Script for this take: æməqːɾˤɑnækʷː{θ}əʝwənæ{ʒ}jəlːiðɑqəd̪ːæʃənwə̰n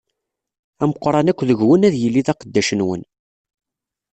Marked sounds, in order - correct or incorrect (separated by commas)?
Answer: incorrect, incorrect